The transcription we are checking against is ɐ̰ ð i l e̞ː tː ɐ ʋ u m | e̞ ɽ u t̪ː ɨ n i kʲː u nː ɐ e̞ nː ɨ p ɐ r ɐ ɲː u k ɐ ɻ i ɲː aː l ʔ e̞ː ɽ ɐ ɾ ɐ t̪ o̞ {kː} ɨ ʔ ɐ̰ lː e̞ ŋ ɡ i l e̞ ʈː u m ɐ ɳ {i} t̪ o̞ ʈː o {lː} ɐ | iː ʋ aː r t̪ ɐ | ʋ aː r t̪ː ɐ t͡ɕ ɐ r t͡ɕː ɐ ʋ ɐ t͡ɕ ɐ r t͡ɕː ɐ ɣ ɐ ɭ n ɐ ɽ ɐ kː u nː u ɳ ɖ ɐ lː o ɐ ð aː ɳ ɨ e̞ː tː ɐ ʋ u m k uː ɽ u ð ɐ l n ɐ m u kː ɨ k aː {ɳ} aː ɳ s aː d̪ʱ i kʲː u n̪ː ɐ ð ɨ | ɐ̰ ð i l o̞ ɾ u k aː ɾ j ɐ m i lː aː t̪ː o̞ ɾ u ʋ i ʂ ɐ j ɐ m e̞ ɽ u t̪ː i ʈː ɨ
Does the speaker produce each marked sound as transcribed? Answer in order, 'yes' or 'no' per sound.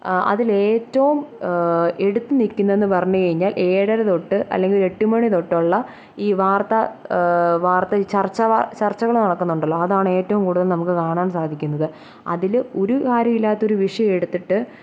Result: no, yes, no, yes

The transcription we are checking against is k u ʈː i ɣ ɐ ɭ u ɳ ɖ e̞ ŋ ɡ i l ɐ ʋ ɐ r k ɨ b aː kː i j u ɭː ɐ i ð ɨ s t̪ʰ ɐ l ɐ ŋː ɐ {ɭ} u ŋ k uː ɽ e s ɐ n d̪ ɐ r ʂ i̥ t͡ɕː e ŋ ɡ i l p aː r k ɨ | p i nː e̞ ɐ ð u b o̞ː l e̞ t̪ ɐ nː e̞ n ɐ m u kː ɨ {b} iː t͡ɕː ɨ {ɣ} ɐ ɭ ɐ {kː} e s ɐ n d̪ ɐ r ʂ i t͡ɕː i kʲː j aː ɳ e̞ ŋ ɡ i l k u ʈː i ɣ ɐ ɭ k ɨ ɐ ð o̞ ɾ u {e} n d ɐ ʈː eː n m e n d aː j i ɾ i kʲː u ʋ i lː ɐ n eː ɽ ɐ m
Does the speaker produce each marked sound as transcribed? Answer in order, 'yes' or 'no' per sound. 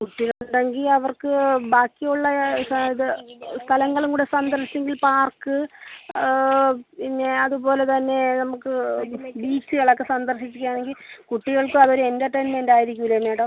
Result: yes, yes, yes, yes, yes

